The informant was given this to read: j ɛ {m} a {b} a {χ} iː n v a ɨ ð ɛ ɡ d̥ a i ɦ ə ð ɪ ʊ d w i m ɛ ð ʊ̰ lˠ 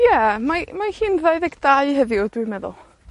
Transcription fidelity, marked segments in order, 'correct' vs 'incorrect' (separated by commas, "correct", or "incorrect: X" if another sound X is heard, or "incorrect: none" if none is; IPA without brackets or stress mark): correct, incorrect: m, incorrect: h